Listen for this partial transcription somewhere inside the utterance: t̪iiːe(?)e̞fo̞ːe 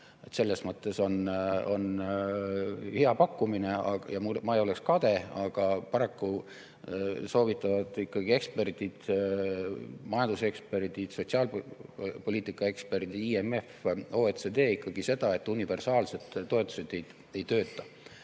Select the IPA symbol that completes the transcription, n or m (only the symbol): m